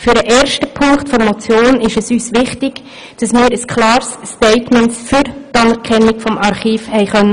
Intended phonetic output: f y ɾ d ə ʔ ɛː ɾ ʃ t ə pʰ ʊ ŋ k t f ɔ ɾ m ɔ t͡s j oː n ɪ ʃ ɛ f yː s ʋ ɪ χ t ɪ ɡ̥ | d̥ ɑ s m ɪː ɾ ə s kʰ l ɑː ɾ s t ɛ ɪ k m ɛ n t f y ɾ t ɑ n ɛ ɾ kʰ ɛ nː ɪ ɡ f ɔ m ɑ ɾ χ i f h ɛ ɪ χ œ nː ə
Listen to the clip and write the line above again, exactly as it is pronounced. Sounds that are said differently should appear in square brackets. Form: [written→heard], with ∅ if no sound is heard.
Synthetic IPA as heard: f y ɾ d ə ʔ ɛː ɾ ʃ t ə pʰ ʊ ŋ k t f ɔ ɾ m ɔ t͡s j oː n ɪ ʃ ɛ [f→s] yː s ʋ ɪ χ t ɪ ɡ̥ | d̥ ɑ s m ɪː ɾ ə s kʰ l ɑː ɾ s t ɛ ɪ [k→t] m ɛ n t f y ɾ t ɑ n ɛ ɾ kʰ ɛ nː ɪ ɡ f ɔ m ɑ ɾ χ [i→iː] f h ɛ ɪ χ œ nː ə

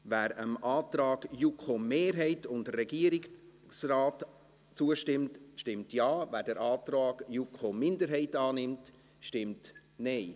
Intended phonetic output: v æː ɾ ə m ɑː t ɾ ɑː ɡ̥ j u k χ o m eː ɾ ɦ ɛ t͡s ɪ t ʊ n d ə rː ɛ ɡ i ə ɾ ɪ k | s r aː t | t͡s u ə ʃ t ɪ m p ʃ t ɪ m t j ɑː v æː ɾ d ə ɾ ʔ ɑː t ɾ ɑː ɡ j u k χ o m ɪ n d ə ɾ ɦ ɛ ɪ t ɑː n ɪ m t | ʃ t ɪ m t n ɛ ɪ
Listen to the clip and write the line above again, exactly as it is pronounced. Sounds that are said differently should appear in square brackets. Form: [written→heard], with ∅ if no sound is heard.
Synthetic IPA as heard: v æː ɾ ə m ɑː t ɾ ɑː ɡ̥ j u k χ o m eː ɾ ɦ ɛ [t͡s→∅] ɪ t ʊ n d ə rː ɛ ɡ i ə ɾ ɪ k | s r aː t | t͡s u ə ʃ t ɪ m [p→t] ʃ t ɪ m t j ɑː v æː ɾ d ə ɾ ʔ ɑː t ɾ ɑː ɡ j u k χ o m ɪ n d ə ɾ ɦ ɛ ɪ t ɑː n ɪ m t | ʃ t ɪ m t n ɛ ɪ

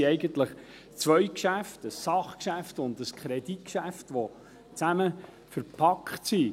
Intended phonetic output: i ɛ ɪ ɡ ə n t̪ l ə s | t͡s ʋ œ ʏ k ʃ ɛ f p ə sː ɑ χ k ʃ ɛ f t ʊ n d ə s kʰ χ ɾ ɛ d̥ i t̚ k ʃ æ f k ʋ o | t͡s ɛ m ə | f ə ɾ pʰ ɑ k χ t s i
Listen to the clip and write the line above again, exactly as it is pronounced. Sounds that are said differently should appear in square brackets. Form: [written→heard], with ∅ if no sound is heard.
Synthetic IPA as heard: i ɛ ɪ ɡ ə n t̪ l ə [s→χ] | t͡s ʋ œ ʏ k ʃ [ɛ→æ] f [p→t] ə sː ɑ χ k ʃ [ɛ→æ] f t ʊ n d ə s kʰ χ ɾ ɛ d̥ i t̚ k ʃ æ f [k→t] ʋ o | t͡s [ɛ→æ] m ə | f ə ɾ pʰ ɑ k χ t s i

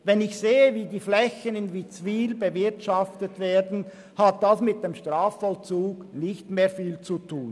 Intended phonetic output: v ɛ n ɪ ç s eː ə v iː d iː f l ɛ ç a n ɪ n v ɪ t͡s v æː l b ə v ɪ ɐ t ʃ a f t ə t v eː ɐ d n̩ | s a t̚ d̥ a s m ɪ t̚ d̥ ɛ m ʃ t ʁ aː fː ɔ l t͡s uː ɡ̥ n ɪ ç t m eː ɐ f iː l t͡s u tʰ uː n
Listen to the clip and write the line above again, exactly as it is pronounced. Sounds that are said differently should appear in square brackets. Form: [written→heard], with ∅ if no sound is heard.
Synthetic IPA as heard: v ɛ n ɪ ç s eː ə v iː d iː f l ɛ ç [a→ə] n ɪ n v [ɪ→i] t͡s v [æː→iː] l b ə v ɪ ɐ t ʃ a f t ə t v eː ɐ d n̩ | [s→h] a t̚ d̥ a s m ɪ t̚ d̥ [ɛ→e] m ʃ t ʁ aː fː ɔ l t͡s uː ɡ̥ n ɪ ç t m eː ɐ f iː l t͡s u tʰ uː n

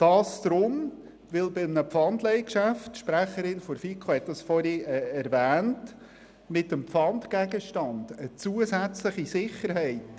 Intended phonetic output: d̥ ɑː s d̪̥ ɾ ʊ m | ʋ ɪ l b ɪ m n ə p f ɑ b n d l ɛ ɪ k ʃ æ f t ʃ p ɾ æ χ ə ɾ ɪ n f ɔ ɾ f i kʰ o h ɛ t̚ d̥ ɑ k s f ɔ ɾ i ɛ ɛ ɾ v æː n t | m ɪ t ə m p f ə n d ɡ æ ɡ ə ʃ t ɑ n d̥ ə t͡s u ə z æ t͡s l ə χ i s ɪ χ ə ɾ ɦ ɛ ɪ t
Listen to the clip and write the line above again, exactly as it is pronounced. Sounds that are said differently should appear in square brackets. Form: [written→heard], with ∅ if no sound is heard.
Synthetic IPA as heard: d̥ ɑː s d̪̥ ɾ ʊ m | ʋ ɪ l b ɪ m n ə p f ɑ [b→∅] n d l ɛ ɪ k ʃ æ f t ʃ p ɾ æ χ ə ɾ ɪ n f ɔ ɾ f i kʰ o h ɛ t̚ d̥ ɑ [k→∅] s f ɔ ɾ i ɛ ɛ ɾ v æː n t | m ɪ t ə m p f [ə→ɑ] n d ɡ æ ɡ ə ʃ t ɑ n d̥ ə t͡s u ə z æ t͡s l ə χ i s ɪ χ ə ɾ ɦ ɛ ɪ t

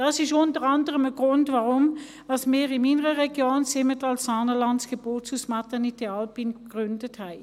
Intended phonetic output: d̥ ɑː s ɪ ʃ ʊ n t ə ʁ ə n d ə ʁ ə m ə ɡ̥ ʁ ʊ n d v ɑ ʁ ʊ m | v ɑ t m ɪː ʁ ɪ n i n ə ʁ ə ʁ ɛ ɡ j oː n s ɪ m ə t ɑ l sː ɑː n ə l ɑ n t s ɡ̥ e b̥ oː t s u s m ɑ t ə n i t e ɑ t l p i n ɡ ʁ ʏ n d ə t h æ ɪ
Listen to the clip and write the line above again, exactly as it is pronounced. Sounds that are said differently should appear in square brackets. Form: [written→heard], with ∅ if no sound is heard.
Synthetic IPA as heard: d̥ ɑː s ɪ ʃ ʊ n t ə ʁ [ə→ɑ] n d ə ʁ ə m ə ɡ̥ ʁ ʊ n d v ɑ ʁ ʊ m | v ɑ [t→s] m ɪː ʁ ɪ n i n ə ʁ ə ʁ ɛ ɡ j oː n s ɪ m ə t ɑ l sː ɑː n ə l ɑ n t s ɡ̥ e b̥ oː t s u s m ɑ t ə n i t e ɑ [t→∅] l p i n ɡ ʁ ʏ n d ə t h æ ɪ

